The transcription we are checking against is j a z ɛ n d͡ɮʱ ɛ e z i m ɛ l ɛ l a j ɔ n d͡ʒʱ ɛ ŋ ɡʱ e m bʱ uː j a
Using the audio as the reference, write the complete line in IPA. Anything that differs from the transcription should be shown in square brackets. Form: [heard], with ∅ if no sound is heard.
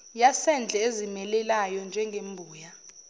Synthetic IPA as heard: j a [s] ɛ n d͡ɮʱ ɛ e z i m ɛ l ɛ l a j ɔ n d͡ʒʱ ɛ ŋ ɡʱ e m bʱ uː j a

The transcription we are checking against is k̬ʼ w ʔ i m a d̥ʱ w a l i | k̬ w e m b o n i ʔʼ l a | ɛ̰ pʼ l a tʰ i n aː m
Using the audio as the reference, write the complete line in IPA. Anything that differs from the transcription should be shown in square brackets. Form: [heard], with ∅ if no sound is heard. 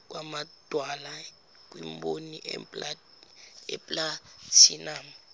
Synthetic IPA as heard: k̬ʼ w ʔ [a] m a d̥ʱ w a l [a] | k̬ w [i] m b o n i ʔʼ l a | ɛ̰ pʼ l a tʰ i n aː m

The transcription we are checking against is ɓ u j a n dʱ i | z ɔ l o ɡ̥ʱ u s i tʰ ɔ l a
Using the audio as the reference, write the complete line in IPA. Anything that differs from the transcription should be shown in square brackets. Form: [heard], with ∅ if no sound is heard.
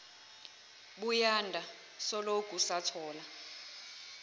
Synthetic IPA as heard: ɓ u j a n dʱ [a] | [s] ɔ l o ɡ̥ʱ u s [a] tʰ [ɔː] l a

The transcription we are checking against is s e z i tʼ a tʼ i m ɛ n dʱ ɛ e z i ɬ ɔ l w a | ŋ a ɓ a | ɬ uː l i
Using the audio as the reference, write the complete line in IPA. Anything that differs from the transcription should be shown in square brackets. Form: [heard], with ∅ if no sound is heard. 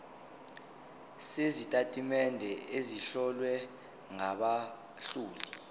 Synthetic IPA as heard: s e z i tʼ a tʼ i m ɛ n dʱ ɛ e z i ɬ ɔ l w [ɛ] | ŋ a ɓ a | ɬ uː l i

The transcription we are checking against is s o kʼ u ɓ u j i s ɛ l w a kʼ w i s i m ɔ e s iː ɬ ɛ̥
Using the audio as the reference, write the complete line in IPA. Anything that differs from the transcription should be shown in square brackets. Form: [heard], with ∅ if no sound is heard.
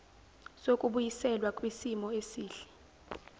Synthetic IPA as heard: s o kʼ u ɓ u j i s ɛ l w a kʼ w i s i m ɔ e s iː ɬ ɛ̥

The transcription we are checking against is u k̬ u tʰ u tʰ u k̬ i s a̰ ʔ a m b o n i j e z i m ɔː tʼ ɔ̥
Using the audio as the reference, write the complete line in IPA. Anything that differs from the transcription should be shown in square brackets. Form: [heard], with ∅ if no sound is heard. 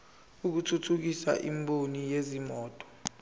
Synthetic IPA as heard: u k̬ u tʰ u tʰ u k̬ i s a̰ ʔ [i] m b o n i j e z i m ɔː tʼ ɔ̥

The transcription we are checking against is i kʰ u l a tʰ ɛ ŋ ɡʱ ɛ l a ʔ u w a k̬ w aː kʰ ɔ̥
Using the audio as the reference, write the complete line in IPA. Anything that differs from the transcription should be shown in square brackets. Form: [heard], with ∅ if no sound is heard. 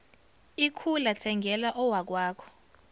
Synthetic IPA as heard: i kʰ u l a tʰ ɛ ŋ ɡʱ ɛ l a ʔ [ɔ] w a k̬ w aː kʰ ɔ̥

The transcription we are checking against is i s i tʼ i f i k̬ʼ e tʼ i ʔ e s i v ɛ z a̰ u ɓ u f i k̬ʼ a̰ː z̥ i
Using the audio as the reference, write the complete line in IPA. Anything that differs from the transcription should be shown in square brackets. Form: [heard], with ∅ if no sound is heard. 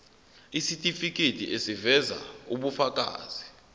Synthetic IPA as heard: i s i tʼ i f i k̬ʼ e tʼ i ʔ e s i v ɛ z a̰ u ɓ u f [a] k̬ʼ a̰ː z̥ i

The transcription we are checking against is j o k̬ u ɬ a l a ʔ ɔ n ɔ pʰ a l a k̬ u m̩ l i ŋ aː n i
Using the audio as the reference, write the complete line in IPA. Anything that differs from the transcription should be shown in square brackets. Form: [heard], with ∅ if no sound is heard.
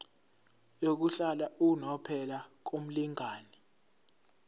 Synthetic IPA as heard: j o k̬ u ɬ a l a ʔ [u] n ɔ pʰ [ɛ] l a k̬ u m̩ l i ŋ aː n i

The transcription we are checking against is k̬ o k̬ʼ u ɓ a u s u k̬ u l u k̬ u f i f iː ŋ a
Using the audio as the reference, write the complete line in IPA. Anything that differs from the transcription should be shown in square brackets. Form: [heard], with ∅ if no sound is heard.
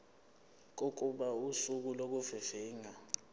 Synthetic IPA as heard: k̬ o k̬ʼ u ɓ a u s u k̬ u l [o] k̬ u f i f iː ŋ a

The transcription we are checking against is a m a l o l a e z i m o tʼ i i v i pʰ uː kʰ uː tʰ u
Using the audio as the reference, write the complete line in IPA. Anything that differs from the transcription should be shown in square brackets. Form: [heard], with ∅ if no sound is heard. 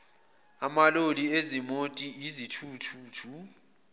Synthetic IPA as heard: a m a l o l [i] e z i m o tʼ i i [z] i [tʰ] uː [tʰ] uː tʰ u

